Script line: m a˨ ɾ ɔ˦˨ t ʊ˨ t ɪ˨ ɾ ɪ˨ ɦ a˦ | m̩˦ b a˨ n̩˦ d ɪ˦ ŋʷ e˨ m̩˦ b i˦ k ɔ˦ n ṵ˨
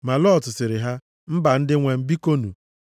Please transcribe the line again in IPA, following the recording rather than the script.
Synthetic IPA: m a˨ l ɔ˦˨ t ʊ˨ s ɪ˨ ɾ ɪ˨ ɦ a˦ | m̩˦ b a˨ n̩˦ d ɪ˦ ŋʷ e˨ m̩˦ b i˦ k o˦ n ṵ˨